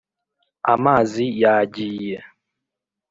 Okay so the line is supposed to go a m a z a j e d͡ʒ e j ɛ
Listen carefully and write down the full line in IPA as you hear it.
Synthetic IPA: a m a z i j a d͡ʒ i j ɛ